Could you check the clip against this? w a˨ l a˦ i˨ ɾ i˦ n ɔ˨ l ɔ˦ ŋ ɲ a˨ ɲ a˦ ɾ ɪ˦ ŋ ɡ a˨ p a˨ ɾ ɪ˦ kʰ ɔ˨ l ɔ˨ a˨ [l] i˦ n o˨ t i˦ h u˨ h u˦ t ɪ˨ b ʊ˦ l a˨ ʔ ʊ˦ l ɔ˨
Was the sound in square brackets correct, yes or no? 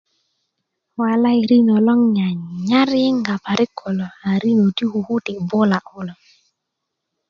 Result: no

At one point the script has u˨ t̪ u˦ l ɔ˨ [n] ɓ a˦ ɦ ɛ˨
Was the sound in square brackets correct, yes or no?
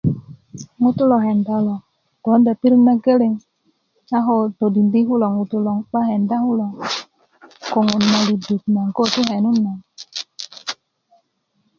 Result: no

